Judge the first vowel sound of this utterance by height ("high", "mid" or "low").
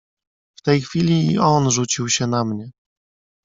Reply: mid